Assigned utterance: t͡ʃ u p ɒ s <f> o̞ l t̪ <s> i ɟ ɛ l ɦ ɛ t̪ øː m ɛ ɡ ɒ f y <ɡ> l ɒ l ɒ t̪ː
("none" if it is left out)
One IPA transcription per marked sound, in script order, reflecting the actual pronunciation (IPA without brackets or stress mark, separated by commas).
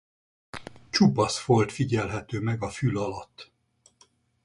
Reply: f, f, none